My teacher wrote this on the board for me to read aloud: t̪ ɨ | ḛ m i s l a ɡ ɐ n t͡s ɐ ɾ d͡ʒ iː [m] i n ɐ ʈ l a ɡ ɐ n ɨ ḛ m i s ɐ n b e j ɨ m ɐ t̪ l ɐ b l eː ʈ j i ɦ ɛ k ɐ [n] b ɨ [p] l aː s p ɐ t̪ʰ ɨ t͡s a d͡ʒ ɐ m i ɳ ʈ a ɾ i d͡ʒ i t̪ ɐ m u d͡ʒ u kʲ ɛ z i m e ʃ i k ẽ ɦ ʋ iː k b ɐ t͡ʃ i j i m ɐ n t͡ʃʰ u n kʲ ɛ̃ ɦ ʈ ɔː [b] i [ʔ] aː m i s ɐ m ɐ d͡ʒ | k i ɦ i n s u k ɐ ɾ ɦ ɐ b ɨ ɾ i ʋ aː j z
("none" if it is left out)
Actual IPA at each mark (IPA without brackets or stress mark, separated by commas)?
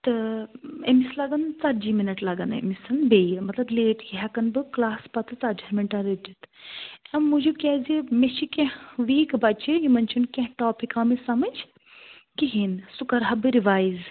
m, n, k, p, k